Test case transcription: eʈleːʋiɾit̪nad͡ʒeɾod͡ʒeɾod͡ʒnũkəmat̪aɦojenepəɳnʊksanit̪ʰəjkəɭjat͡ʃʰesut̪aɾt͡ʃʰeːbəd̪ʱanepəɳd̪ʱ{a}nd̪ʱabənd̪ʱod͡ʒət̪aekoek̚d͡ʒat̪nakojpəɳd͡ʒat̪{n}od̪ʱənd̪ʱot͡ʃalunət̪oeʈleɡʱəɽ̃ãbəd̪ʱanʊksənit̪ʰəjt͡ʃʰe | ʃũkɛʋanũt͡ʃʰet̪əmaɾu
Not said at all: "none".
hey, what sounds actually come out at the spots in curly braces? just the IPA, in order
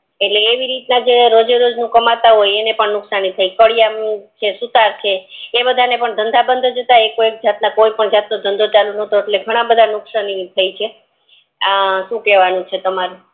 ə, n

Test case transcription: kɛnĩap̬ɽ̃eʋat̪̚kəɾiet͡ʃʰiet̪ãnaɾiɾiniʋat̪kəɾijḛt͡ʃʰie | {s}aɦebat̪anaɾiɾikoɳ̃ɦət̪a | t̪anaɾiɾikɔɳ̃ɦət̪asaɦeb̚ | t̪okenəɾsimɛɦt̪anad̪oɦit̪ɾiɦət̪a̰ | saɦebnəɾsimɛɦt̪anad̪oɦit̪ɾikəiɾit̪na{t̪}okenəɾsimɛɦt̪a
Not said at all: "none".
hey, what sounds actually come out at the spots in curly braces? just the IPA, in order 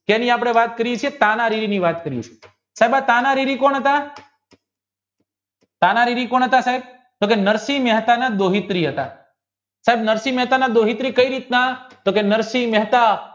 s, t̪

